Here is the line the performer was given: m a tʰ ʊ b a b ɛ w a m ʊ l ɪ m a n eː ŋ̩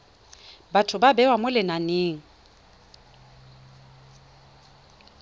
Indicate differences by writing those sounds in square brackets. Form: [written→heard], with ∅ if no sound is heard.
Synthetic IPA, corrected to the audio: [m→b] a tʰ ʊ b a b ɛ w a m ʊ l ɪ [m→n] a n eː ŋ̩